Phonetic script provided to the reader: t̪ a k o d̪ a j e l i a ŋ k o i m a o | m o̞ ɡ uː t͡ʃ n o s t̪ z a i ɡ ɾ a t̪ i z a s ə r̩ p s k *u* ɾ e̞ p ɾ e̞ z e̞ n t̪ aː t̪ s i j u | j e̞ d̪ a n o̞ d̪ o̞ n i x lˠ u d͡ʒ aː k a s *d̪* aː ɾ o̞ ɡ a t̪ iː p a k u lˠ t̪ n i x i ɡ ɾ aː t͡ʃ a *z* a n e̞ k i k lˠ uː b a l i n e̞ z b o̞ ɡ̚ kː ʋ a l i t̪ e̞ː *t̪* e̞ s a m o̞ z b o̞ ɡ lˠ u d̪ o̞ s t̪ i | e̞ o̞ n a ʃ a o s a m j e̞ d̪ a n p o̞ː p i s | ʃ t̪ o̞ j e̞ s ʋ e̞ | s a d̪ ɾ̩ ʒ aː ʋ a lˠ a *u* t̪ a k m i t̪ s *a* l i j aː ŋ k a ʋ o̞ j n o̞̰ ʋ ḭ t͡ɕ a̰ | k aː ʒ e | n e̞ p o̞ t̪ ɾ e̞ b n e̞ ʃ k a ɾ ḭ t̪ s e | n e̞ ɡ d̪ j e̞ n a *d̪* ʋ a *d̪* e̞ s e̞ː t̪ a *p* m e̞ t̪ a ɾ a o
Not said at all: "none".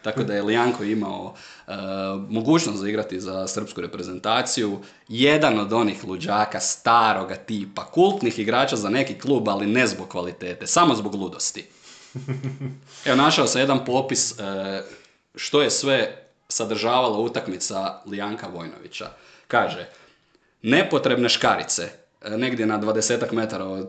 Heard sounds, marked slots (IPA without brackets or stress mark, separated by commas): u, t̪, z, t̪, u, a, d̪, d̪, k